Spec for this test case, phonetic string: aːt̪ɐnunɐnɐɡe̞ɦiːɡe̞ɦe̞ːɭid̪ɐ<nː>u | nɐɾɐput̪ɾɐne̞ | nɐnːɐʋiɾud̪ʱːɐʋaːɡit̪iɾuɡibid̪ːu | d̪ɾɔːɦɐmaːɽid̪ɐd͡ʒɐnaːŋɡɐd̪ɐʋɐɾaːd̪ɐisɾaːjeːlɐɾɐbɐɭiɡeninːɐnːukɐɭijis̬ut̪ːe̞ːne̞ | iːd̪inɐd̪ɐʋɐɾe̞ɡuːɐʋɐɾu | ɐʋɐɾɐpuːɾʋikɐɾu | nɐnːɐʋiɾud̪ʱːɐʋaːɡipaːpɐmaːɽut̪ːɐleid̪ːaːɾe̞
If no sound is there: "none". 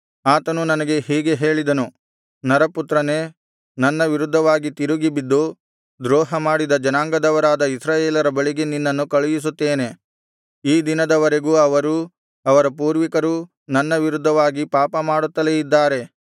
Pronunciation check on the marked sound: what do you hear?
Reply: n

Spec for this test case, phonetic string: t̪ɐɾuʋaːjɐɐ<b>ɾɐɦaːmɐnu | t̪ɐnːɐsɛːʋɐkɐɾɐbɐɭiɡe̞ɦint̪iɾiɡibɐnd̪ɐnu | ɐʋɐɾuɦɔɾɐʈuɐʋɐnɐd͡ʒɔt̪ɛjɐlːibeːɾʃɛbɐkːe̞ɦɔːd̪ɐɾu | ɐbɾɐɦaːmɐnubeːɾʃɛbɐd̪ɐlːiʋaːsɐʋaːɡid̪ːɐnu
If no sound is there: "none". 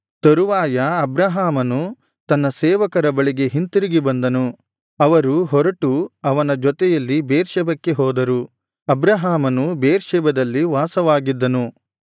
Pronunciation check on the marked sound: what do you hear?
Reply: b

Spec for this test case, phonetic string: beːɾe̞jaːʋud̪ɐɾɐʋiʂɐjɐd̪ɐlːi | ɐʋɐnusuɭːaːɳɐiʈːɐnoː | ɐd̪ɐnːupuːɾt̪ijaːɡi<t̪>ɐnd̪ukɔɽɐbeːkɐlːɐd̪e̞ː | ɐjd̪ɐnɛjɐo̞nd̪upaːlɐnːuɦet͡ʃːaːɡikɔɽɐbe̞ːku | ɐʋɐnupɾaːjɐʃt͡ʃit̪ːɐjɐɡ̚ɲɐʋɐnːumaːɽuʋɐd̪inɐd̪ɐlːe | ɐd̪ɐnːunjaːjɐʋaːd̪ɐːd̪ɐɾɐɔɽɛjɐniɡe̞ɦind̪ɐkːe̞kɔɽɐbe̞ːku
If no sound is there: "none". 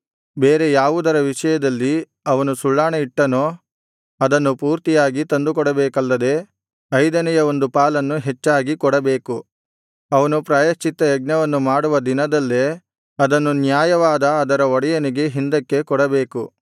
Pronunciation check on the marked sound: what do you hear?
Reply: t̪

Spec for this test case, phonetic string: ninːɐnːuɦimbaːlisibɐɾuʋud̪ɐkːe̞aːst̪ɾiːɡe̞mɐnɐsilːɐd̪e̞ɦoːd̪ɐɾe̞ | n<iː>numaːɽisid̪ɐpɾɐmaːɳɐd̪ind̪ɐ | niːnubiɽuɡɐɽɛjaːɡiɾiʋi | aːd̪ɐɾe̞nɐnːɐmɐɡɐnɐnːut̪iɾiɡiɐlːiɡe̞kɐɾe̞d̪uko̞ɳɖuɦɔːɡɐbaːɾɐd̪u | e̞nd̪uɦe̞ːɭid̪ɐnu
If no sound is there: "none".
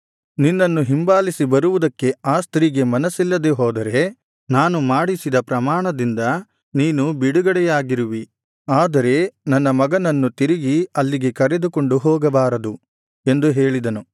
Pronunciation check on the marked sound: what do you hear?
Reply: aː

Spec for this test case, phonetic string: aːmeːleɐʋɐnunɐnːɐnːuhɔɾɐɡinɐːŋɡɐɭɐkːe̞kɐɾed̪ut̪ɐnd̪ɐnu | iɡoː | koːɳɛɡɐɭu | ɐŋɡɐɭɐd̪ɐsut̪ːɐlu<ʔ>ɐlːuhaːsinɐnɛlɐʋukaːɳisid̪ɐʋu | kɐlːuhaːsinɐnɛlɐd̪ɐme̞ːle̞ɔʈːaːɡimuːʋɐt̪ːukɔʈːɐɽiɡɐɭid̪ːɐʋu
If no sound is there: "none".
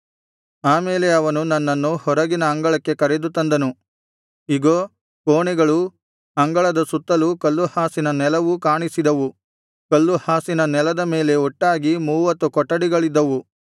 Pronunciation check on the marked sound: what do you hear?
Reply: k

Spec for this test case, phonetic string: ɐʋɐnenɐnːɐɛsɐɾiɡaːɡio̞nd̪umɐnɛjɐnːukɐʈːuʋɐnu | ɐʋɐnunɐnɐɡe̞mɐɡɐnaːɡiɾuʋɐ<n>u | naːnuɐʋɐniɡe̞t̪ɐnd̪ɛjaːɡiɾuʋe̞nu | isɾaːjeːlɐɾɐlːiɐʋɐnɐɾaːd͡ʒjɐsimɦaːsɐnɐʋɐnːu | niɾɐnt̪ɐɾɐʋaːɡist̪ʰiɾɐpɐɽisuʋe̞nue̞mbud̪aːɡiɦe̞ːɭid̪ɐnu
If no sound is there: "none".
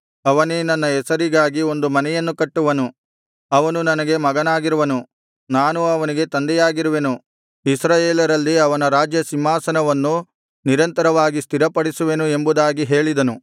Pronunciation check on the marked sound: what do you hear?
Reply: n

